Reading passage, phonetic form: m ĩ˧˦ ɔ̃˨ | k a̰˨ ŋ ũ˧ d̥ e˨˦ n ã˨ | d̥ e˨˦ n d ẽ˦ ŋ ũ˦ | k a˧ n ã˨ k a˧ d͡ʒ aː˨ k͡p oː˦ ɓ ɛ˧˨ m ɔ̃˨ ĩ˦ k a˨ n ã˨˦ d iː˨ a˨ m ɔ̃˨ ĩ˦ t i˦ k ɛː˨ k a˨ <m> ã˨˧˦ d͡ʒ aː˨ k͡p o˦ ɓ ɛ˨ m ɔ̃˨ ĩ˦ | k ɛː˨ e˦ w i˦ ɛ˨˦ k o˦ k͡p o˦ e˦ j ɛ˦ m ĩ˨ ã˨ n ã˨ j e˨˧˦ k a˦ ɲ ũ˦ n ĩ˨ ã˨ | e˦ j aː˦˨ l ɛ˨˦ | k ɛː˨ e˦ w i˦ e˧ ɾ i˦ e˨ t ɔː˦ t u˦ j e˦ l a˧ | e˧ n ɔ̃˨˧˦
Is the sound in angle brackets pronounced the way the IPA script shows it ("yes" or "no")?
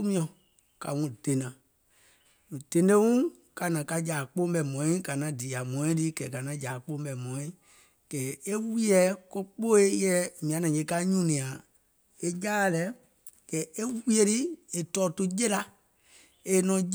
no